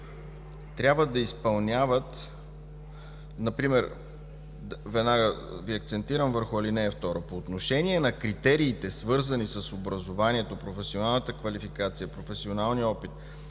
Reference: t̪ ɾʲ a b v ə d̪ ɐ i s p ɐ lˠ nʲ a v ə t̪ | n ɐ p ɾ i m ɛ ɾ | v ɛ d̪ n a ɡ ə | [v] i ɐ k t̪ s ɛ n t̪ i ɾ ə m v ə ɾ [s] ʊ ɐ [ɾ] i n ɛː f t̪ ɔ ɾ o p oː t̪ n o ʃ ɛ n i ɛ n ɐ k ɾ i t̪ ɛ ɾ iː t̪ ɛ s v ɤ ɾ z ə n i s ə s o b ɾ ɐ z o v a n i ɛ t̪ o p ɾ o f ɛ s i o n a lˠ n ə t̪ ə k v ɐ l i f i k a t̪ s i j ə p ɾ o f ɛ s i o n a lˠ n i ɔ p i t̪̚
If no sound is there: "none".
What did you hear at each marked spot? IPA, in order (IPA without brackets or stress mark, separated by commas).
v, x, l